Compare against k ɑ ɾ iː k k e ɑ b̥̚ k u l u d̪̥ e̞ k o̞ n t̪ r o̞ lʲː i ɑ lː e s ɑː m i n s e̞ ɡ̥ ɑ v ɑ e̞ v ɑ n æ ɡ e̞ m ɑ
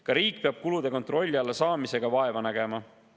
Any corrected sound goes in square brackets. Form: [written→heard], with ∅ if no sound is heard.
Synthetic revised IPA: k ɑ ɾ iː k [k→p] e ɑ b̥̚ k u l u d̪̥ e̞ k o̞ n t̪ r o̞ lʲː i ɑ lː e s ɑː m i [n→∅] s e̞ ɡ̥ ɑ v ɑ e̞ v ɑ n æ ɡ e̞ m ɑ